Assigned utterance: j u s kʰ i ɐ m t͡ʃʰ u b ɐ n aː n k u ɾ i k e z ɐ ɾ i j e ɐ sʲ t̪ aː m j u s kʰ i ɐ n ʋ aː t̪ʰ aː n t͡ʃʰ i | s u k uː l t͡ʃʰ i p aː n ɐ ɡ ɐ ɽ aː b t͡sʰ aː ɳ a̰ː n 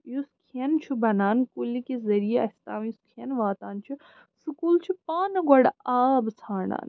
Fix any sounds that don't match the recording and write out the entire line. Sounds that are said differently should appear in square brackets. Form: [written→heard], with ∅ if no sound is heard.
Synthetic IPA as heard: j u s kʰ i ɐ [m→n] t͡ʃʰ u b ɐ n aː n k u [ɾ→l] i k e z ɐ ɾ i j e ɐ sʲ t̪ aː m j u s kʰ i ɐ n ʋ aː [t̪ʰ→t̪] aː n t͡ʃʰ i | s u k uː l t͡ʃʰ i p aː n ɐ ɡ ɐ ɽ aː b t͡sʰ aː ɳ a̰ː n

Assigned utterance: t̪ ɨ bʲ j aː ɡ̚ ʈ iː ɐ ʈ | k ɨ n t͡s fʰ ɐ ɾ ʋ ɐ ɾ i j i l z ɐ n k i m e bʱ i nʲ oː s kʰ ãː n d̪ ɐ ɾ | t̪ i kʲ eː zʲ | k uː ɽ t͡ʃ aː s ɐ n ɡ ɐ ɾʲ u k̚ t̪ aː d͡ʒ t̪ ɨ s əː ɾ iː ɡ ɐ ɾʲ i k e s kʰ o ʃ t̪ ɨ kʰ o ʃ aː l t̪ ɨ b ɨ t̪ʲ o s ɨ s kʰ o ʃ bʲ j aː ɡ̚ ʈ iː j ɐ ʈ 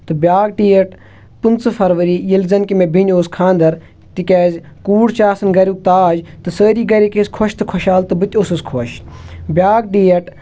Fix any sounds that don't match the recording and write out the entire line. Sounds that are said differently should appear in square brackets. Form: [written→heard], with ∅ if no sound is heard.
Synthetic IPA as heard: t̪ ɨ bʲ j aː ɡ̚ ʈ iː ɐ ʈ | [k→p] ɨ n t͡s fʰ ɐ ɾ ʋ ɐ ɾ i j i l z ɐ n k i m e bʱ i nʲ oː s kʰ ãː n d̪ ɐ ɾ | t̪ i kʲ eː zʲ | k uː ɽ t͡ʃ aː s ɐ n ɡ ɐ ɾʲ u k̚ t̪ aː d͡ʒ t̪ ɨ s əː ɾ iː ɡ ɐ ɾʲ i k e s kʰ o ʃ t̪ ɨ kʰ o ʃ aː l t̪ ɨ b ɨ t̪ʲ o s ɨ s kʰ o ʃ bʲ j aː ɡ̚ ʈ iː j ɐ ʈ

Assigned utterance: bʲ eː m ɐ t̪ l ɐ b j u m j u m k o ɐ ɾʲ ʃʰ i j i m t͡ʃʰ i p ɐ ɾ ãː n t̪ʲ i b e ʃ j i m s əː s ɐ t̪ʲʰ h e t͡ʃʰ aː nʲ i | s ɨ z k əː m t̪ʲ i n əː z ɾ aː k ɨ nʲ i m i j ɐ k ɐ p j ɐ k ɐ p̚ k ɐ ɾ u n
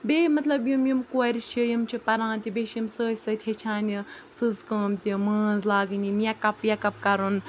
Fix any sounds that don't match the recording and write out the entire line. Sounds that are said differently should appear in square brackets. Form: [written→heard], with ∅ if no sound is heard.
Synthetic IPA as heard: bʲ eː m ɐ t̪ l ɐ b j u m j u m k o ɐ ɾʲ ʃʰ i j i m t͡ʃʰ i p ɐ ɾ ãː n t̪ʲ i b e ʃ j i m s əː s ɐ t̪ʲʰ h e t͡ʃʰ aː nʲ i | s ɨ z k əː m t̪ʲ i [n→m] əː z [ɾ→l] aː [k→ɡ] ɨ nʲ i m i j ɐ k ɐ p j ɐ k ɐ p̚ k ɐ ɾ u n

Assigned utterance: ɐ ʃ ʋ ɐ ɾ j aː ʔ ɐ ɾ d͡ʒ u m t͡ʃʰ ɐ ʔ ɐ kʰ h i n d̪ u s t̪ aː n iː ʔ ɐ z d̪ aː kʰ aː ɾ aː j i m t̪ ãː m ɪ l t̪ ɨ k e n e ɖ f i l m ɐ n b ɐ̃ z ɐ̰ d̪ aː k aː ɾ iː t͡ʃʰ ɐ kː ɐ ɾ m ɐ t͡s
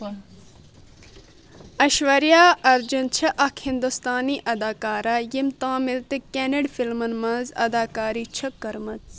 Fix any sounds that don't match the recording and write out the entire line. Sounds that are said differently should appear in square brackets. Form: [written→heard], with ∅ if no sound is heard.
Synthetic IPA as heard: ɐ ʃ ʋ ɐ ɾ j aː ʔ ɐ ɾ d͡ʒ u [m→n] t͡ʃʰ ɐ ʔ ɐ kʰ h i n d̪ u s t̪ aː n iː ʔ ɐ [z→∅] d̪ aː [kʰ→k] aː ɾ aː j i m t̪ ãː m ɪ l t̪ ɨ k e n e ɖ f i l m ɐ n [b→m] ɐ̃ z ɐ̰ d̪ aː k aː ɾ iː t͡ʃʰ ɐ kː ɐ ɾ m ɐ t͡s

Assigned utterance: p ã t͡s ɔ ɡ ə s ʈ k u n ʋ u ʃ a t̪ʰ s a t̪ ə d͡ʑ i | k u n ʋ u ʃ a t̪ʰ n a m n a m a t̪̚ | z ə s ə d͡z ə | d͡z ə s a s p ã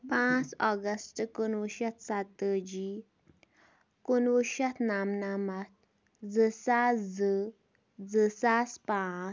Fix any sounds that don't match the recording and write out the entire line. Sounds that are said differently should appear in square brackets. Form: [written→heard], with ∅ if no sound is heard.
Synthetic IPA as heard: p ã t͡s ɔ ɡ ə s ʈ k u n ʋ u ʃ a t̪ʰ s a t̪ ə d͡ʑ i | k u n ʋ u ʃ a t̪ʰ n a m n a m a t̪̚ | [z→d͡z] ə s [ə→a] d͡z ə | d͡z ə s a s p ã

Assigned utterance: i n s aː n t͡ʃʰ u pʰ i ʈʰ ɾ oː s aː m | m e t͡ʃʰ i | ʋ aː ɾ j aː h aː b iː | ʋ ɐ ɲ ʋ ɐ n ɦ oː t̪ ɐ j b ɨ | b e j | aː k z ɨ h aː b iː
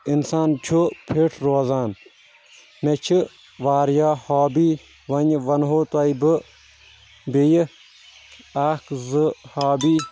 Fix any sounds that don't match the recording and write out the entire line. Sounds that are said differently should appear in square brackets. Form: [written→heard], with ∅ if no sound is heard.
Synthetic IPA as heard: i n s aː n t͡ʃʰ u pʰ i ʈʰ ɾ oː [s→z] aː [m→n] | m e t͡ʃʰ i | ʋ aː ɾ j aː h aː b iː | ʋ ɐ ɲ ʋ ɐ n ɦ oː t̪ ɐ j b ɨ | b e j | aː k z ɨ h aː b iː

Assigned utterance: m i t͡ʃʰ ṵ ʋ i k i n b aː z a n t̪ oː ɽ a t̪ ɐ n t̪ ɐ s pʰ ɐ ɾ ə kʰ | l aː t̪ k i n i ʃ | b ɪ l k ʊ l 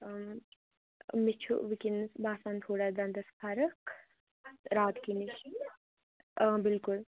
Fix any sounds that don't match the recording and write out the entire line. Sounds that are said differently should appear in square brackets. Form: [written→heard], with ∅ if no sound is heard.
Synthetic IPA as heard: m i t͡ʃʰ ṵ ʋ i k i n b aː [z→s] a n [t̪→t̪ʰ] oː ɽ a [t̪→d̪] ɐ n [t̪→d̪] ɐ s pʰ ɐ ɾ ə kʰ | [l→ɾ] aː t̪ k i n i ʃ | b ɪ l k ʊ l

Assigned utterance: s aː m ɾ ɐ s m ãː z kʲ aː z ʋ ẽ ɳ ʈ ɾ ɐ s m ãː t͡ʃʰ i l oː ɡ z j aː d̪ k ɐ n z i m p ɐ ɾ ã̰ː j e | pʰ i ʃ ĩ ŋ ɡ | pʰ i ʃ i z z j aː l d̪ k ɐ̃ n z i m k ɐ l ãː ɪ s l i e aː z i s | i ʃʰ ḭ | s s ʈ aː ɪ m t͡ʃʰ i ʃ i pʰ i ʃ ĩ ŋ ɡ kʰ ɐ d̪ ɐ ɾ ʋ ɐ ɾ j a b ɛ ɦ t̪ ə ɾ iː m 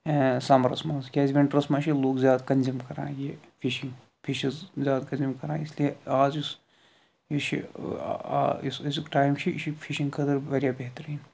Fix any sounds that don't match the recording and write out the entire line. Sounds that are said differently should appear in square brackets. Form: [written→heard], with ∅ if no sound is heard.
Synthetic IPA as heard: s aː m ɾ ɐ s m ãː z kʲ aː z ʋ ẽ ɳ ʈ ɾ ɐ s m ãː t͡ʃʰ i l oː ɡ z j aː d̪ k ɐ n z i m [p→k] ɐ ɾ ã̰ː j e | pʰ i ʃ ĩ ŋ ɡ | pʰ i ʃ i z z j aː [l→∅] d̪ k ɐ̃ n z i m k ɐ [l→ɾ] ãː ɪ s l i e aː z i s | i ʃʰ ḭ | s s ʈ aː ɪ m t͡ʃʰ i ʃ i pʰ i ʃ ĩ ŋ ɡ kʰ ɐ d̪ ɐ ɾ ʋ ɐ ɾ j a b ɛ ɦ t̪ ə ɾ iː [m→n]

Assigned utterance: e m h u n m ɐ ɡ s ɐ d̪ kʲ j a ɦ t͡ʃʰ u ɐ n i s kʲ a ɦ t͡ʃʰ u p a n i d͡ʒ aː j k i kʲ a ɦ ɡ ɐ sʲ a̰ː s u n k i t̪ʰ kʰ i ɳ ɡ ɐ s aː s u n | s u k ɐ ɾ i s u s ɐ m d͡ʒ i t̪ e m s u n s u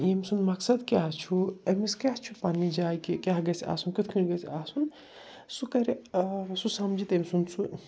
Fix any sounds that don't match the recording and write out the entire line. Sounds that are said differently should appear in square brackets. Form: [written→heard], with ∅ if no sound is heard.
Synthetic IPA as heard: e m [h→s] u n m ɐ [ɡ→k] s ɐ d̪ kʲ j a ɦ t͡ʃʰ u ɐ [n→m] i s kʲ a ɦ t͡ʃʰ u p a n i d͡ʒ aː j k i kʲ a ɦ ɡ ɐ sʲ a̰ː s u n k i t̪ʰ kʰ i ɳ ɡ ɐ s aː s u n | s u k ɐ ɾ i s u s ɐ m d͡ʒ i t̪ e m s u n s u

